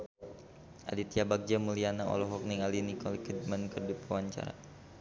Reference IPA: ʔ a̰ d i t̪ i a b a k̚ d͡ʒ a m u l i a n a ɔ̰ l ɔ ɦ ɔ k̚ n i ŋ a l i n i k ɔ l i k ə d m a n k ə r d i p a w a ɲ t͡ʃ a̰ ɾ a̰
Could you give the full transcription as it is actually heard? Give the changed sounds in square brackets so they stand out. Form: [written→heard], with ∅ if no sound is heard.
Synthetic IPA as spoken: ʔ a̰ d i t̪ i a b a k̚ d͡ʒ a m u l i a n a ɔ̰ l ɔ ɦ ɔ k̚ n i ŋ a l i n i k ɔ l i k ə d m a n k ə r d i p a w a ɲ t͡ʃ a̰ ɾ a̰